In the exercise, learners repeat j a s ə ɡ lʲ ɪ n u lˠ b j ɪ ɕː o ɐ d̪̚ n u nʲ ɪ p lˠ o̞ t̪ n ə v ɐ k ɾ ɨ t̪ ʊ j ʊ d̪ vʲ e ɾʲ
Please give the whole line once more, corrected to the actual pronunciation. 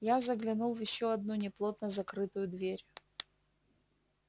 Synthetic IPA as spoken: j a z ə ɡ lʲ ɪ n u lˠ v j ɪ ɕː o ɐ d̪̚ n u nʲ ɪ p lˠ o̞ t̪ n ə z ɐ k ɾ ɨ t̪ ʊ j ʊ d̪ vʲ e ɾʲ